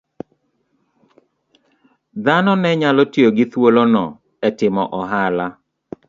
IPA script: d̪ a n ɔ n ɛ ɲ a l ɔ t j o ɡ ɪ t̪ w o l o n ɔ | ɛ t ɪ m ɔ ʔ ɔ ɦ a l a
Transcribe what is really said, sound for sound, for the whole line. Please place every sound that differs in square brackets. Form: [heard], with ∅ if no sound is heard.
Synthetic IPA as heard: d̪ a n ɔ n ɛ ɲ a l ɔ t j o ɡ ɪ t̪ w o l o n ɔ | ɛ t ɪ m ɔ ʔ ɔ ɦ a l a